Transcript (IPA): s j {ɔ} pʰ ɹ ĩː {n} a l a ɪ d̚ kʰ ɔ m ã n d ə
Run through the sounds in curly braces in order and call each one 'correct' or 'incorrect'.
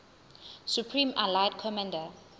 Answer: incorrect, incorrect

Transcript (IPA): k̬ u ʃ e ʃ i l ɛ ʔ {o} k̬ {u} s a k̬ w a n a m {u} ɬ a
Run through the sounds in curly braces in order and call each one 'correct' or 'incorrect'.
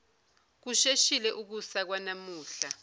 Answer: incorrect, correct, incorrect

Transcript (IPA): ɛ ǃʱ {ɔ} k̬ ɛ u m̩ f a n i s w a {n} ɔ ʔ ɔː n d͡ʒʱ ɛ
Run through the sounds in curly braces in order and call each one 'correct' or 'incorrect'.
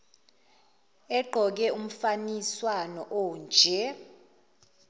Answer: correct, correct

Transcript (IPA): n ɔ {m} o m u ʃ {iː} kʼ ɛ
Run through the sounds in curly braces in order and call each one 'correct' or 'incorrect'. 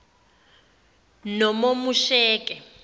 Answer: correct, incorrect

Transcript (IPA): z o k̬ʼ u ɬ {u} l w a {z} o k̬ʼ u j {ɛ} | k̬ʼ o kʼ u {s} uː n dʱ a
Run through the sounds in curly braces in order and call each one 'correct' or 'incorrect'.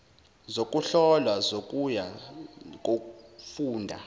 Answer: incorrect, correct, incorrect, incorrect

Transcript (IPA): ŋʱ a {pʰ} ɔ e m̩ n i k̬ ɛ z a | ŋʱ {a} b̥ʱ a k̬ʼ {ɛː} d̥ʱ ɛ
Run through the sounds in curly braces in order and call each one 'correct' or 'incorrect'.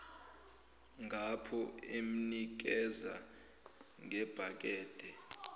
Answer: correct, incorrect, correct

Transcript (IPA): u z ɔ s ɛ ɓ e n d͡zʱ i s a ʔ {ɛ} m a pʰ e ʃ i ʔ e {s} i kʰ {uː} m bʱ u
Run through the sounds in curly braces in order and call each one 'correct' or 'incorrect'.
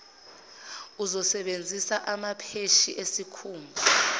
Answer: incorrect, correct, correct

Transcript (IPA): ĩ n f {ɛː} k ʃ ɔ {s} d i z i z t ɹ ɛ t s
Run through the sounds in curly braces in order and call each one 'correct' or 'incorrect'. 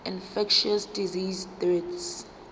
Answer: incorrect, correct

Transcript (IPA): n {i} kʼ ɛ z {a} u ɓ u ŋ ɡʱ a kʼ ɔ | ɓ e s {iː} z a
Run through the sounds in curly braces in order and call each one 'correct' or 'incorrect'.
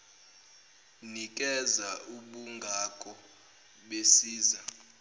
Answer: correct, correct, correct

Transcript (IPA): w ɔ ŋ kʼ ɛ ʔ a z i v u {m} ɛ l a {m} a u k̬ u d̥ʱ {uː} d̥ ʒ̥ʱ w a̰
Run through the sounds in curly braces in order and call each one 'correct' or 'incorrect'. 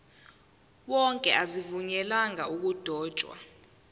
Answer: incorrect, incorrect, incorrect

